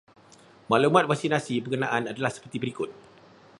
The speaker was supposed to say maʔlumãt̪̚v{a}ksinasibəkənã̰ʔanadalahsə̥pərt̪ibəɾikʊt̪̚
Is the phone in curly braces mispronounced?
no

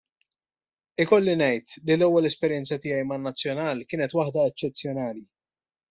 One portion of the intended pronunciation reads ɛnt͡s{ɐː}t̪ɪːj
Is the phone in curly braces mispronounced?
yes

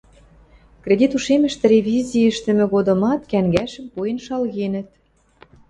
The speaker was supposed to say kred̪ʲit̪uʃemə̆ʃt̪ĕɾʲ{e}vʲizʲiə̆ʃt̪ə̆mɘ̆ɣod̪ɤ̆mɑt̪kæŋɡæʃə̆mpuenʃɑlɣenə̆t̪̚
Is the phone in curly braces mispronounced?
no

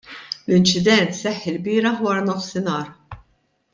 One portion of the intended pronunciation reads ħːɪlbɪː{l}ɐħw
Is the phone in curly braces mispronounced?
yes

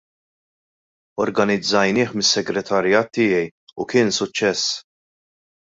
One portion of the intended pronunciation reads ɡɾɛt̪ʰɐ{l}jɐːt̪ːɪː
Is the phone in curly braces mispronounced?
yes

